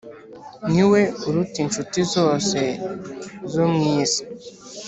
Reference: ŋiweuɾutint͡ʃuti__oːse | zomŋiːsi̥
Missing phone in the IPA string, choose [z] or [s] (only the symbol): z